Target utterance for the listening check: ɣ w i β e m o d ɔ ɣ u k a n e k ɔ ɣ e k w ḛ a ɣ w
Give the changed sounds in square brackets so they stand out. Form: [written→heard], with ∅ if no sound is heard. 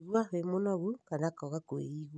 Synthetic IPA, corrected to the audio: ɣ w [i→a] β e m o [d→n] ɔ ɣ u k a n [e→a] k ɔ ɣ [e→a] k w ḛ [a→i] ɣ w